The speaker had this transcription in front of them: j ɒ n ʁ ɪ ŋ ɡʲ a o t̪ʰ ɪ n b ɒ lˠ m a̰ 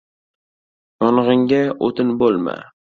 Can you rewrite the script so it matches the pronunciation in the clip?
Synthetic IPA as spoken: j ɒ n ʁ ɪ ŋ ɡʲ a o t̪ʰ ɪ n b o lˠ m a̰